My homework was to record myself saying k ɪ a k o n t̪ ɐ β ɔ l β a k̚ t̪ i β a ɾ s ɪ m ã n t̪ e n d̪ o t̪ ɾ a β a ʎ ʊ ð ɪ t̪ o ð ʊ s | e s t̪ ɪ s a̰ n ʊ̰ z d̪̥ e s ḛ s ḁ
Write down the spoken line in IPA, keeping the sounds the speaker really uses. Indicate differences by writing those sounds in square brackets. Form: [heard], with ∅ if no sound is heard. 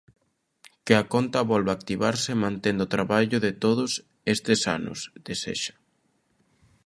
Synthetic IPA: k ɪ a k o n t̪ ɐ β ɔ l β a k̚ t̪ i β a ɾ s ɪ m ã n t̪ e n d̪ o t̪ ɾ a β a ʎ ʊ ð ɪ t̪ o ð ʊ s | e s t̪ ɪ s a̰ n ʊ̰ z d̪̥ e s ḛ [ʃ] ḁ